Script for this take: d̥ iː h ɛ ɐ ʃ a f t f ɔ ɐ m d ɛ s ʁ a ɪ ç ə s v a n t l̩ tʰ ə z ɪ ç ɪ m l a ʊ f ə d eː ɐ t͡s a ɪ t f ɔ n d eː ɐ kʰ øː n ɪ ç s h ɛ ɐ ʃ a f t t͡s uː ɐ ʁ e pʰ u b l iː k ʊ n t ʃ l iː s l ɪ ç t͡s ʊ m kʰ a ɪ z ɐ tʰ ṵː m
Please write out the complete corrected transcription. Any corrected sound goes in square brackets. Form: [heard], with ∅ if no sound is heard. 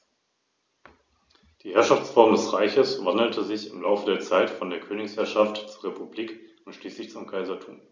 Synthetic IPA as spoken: d̥ iː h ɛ ɐ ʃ a f [t͡s] f ɔ ɐ m d ɛ s ʁ a ɪ ç ə s v a n [d] l̩ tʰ ə z ɪ ç ɪ m l a ʊ f ə d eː ɐ t͡s a ɪ t f ɔ n d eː ɐ kʰ øː n ɪ ç s h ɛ ɐ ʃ a f t t͡s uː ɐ ʁ e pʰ u b l iː k ʊ n t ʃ l iː s l ɪ ç t͡s ʊ m kʰ a ɪ z ɐ tʰ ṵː m